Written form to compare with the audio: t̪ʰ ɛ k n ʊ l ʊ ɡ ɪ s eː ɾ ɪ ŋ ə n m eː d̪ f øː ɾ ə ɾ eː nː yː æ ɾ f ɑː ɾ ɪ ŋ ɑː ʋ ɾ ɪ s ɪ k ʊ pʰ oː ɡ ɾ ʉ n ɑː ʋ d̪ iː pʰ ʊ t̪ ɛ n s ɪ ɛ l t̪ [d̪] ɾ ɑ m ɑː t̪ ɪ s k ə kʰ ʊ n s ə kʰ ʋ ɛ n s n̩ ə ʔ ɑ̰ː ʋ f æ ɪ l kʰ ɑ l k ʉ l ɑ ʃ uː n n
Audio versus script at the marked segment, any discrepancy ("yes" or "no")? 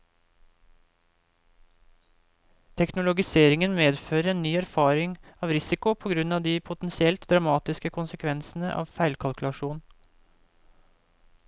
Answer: no